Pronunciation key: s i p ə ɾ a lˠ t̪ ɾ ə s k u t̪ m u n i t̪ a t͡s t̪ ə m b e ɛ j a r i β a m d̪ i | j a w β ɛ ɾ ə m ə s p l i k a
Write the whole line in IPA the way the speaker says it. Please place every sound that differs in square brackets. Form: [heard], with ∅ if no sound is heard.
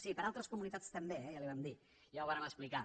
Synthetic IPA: s i p ə ɾ a lˠ t̪ ɾ ə s k u [∅] m u n i t̪ a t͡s t̪ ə m b e ɛ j a [l] i β a m d̪ i | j a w β [a] ɾ ə m ə s p l i k a